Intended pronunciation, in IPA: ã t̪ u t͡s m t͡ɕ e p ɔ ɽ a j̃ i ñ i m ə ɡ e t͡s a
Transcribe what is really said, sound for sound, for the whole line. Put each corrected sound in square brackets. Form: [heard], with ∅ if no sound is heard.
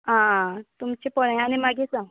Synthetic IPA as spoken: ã t̪ u [∅] m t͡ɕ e p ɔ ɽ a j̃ [a] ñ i m [a] ɡ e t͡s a